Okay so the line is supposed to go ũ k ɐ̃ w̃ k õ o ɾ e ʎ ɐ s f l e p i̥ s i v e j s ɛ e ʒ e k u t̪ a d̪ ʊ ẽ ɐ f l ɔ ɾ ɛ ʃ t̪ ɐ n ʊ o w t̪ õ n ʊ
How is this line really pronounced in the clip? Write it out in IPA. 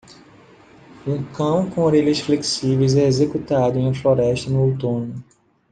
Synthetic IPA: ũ k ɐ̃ w̃ k õ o ɾ e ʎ ɐ s f l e k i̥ s i v e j z ɛ e z e k u t̪ a d̪ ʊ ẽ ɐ f l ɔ ɾ ɛ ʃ t̪ ɐ n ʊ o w t̪ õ n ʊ